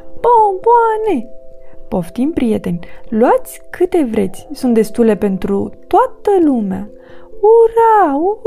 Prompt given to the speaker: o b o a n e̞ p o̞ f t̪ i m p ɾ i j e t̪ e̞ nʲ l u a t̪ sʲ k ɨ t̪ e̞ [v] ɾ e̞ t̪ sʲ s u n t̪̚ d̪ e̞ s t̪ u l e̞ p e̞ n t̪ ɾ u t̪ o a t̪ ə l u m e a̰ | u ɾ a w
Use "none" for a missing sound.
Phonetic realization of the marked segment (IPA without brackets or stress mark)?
v